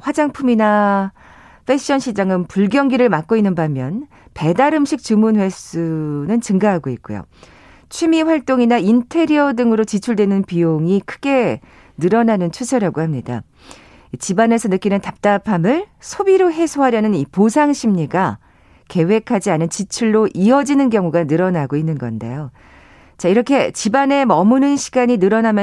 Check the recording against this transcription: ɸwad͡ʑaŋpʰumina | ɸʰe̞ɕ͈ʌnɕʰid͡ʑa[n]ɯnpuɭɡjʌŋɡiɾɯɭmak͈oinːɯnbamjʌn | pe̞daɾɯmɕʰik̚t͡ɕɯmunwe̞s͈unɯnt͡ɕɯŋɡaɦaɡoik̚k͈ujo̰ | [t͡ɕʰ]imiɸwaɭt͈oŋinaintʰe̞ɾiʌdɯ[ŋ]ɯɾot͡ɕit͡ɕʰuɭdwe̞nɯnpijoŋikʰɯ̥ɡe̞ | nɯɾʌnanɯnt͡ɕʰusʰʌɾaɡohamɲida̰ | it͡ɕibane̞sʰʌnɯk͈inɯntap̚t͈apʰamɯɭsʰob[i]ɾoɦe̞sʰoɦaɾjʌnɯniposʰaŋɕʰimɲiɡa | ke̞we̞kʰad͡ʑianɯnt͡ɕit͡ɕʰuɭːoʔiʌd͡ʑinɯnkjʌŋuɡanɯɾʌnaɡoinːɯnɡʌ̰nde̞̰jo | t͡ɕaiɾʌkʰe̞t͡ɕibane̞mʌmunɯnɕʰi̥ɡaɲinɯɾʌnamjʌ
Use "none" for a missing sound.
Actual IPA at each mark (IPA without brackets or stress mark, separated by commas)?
ŋ, t͡ɕʰ, ŋ, i